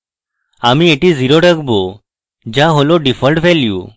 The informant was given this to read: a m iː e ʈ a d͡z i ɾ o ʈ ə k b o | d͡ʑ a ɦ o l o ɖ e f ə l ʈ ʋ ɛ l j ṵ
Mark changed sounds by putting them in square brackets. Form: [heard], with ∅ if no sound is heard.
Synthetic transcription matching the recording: a m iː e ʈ [i] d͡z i ɾ o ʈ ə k b o | d͡ʑ a ɦ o l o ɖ [i] f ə l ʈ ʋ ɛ l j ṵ